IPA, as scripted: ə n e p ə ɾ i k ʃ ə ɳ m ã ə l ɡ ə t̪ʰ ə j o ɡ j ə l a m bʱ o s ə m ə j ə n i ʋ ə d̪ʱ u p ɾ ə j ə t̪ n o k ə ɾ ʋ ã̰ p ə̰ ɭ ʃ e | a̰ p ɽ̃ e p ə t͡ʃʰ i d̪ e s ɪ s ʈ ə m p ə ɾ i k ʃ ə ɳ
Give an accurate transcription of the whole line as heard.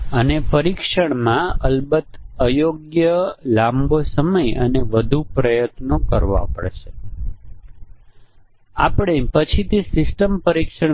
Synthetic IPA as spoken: ə n e p ə ɾ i k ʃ ə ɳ m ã ə l b ə t̪ ə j o ɡ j ə l a m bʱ o s ə m ə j ə n e ʋ ə d̪ʱ u p ɾ ə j ə t̪ n o k ə ɾ ʋ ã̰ p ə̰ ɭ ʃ e | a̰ p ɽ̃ e p ə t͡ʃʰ i t̪ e s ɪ s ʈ ə m p ə ɾ i k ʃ ə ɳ